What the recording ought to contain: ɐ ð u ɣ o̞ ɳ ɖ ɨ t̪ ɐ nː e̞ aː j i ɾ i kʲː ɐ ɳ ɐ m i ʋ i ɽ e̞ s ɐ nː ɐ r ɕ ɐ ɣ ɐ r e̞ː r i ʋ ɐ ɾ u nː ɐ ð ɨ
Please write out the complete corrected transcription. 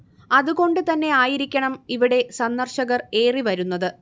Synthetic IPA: ɐ ð u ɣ o̞ ɳ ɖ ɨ t̪ ɐ nː e̞ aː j i ɾ i kʲː ɐ ɳ ɐ m i ʋ i ɽ e̞ s ɐ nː ɐ r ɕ ɐ ɣ ɐ r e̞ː r i ʋ ɐ ɾ u nː ɐ ð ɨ